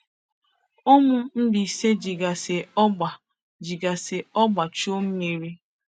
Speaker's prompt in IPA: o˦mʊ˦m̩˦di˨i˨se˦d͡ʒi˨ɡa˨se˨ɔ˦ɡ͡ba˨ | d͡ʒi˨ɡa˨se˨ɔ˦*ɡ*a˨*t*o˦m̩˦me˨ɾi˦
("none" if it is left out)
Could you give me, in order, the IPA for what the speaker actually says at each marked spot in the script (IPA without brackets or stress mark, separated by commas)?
ɡ͡b, t͡ʃ